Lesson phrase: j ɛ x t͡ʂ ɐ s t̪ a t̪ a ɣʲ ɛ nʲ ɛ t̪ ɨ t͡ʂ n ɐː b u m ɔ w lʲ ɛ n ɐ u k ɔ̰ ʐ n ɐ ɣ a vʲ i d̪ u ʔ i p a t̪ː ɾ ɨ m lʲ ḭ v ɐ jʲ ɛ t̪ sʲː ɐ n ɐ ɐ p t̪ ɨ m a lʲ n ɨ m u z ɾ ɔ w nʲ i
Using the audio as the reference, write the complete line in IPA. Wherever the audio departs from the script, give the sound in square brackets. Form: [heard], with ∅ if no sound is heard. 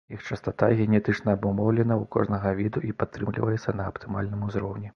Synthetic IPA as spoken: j [i] x t͡ʂ ɐ s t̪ a t̪ a ɣʲ ɛ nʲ ɛ t̪ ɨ t͡ʂ n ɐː b u m ɔ w lʲ ɛ n ɐ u k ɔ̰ ʐ n ɐ ɣ [ɐ] vʲ i d̪ u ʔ i p a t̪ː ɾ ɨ m lʲ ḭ v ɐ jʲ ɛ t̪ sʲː ɐ n ɐ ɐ p t̪ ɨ m a lʲ n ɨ m u z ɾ ɔ w nʲ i